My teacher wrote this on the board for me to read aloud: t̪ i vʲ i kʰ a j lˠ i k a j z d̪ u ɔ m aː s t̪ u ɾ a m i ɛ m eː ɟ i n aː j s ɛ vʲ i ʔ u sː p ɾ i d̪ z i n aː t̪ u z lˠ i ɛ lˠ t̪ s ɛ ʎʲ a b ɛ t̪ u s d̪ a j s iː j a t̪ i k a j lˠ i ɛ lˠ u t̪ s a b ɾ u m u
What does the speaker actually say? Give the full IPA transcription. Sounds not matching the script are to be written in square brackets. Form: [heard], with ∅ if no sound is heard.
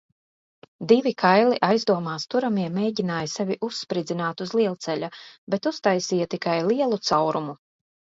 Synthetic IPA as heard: [d̪] i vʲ i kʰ a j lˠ i [ʔ] a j z d̪ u ɔ m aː s t̪ u ɾ a m i ɛ m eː ɟ i n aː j s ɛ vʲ i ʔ u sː p ɾ i d̪ z i n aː t̪ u z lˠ i ɛ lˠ t̪ s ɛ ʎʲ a b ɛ t̪ u s [t̪] a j s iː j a t̪ i k a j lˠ i ɛ lˠ u t̪ s a [w] ɾ u m u

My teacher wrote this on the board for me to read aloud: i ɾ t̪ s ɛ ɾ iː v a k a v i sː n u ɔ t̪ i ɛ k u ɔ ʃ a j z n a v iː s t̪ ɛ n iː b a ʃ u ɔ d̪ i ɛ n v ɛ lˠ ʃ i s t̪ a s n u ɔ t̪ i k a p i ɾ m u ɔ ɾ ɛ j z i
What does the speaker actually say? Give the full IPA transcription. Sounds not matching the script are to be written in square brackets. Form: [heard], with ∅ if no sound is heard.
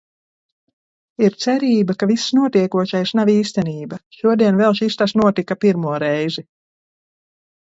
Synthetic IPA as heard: i ɾ t̪ s ɛ ɾ iː [b] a k a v i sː n u ɔ t̪ i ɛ k u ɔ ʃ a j [s] n a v iː s t̪ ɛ n iː b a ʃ u ɔ d̪ i ɛ n v ɛ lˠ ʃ i s t̪ a s n u ɔ t̪ i k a p i ɾ m u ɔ ɾ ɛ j z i

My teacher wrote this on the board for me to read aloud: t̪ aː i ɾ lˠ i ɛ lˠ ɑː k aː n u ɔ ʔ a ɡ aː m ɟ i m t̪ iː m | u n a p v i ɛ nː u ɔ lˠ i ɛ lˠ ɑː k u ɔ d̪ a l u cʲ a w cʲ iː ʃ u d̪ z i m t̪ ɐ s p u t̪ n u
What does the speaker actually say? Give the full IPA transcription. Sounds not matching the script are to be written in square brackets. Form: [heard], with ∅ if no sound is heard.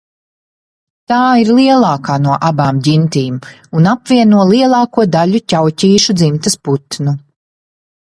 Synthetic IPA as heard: t̪ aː i ɾ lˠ i ɛ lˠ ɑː k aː n u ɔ ʔ a [b] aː m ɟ i [n] t̪ iː m | u n a p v i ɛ [n] u ɔ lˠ i ɛ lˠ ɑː k u ɔ d̪ a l u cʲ a w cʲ iː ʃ u d̪ z i m t̪ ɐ s p u t̪ n u

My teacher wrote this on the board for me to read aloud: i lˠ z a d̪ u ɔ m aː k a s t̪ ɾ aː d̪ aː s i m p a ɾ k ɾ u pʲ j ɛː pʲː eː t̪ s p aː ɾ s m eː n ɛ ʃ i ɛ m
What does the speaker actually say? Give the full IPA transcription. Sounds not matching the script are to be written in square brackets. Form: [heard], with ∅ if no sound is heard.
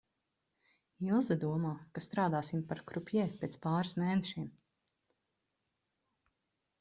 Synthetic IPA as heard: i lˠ z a d̪ u ɔ m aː k a s t̪ ɾ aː d̪ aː s i m p a ɾ k ɾ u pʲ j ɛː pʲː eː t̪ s p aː ɾ s m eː n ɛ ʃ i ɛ m

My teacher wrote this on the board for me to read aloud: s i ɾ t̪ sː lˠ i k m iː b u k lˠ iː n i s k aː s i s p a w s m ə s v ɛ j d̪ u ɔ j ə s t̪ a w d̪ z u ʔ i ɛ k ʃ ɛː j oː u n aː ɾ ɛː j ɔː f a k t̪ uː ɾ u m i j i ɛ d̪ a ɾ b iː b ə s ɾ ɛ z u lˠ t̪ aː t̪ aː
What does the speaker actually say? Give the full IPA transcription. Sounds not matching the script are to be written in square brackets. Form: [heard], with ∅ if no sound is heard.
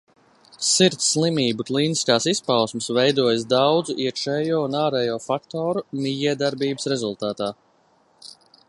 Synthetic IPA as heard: s i ɾ t̪ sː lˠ i [∅] m iː b u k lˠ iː n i s k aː s i s p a w s m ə s v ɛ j d̪ u ɔ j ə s [d̪] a w d̪ z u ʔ i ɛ k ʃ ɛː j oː u n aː ɾ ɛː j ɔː f a k t̪ [ɔː] ɾ u m i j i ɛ d̪ a ɾ b iː b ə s ɾ ɛ z u lˠ t̪ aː t̪ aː

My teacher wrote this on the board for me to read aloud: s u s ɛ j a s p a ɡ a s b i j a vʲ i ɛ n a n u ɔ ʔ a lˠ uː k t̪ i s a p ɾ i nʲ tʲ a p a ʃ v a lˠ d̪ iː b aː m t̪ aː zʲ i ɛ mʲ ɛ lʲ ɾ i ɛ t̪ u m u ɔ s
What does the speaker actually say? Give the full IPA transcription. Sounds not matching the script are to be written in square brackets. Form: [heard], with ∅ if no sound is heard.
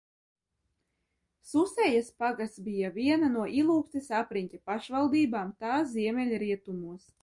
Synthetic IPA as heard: s u s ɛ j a s p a ɡ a s b i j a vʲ i ɛ n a n u ɔ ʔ [i] lˠ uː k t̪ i s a p ɾ i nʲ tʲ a p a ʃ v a lˠ d̪ iː b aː m t̪ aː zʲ i ɛ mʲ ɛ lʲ ɾ i ɛ t̪ u m u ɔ s

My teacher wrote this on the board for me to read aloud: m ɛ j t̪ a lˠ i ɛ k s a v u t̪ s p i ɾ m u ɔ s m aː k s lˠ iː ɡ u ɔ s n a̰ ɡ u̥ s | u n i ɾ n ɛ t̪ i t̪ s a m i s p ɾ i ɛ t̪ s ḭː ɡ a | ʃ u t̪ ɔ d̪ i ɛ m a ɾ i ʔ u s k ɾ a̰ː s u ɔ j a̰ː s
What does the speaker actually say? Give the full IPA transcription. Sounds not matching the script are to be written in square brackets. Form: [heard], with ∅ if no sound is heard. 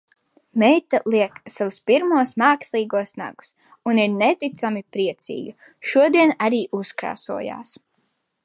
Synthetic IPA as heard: m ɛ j t̪ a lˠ i ɛ k s a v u [∅] s p i ɾ m u ɔ s m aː k s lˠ iː ɡ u ɔ s n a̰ ɡ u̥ s | u n i ɾ n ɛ t̪ i t̪ s a m i [∅] p ɾ i ɛ t̪ s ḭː ɡ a | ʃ u [∅] ɔ d̪ i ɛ [n] a ɾ [iː] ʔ u s k ɾ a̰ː s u ɔ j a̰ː s

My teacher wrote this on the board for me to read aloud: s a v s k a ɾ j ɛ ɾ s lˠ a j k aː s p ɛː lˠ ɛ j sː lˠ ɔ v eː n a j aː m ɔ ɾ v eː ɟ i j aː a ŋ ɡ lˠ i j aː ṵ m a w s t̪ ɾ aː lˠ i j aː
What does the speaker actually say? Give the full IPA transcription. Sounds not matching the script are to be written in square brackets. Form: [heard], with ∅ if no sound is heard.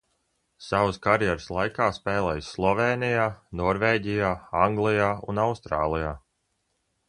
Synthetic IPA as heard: s a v s k a ɾ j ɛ ɾ s lˠ a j k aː s p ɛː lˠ ɛ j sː lˠ ɔ v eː n [i] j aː [n] ɔ ɾ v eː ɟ i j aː a ŋ ɡ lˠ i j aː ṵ [n] a w s t̪ ɾ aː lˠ i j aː

